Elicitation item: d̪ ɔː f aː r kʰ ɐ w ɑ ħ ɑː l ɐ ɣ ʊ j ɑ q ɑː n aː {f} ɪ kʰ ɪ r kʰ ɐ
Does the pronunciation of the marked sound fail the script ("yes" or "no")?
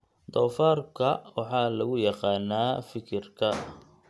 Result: no